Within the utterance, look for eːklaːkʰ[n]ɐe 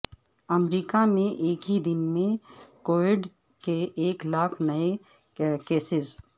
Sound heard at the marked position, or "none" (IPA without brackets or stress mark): n